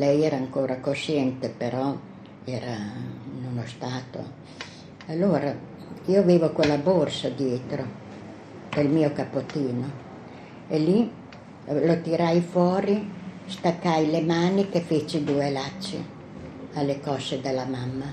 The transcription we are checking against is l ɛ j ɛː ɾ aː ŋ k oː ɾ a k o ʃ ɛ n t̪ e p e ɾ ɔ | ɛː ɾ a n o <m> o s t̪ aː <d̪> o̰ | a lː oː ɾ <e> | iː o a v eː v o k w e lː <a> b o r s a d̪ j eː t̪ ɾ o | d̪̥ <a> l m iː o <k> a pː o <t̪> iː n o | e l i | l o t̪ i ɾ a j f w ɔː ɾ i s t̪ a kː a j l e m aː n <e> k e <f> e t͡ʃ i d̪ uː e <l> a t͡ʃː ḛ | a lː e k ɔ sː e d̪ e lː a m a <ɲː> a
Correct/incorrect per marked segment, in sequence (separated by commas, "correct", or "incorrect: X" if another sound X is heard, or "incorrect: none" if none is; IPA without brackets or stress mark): incorrect: n, incorrect: t̪, incorrect: a, correct, incorrect: e, correct, correct, incorrect: i, correct, correct, incorrect: mː